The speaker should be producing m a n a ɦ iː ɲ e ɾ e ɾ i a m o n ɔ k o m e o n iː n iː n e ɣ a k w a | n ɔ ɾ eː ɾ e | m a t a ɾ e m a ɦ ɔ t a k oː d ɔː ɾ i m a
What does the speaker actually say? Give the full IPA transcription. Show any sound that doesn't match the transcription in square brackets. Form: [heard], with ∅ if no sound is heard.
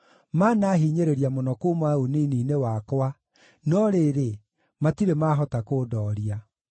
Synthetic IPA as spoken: m a n a ɦ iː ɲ e ɾ e ɾ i a m o n ɔ k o m [a] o n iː n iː n e [w] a k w a | n ɔ ɾ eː ɾ e | m a t [i] ɾ e m a ɦ ɔ t a k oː d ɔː ɾ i [∅] a